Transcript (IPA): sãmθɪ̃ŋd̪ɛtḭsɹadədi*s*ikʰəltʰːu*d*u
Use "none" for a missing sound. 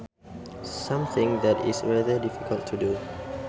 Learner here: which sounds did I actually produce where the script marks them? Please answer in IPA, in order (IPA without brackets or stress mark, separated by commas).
f, d